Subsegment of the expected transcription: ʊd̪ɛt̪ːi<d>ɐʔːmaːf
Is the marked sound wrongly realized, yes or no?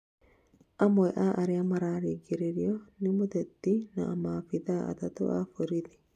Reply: yes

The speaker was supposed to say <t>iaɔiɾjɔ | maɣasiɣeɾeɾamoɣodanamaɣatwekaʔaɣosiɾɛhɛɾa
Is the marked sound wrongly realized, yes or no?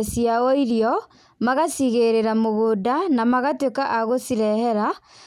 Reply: yes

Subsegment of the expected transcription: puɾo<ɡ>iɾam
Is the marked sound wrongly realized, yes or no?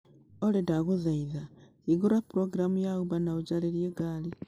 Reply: no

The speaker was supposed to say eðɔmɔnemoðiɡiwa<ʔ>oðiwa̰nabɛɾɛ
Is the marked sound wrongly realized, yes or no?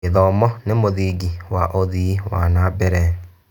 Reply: no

